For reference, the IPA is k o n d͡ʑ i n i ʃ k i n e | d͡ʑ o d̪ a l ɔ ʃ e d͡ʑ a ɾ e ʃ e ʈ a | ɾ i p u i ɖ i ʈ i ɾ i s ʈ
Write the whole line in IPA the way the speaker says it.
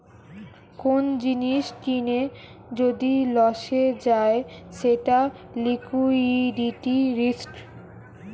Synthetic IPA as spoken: k o n d͡ʑ i n i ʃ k i n e | d͡ʑ o d̪ i l ɔ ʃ e d͡ʑ a e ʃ e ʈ a | l i k u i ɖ i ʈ i ɾ i s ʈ